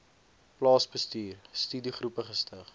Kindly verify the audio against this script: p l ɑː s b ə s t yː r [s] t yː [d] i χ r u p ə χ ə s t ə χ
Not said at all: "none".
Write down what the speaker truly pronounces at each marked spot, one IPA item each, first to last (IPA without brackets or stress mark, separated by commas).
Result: s, d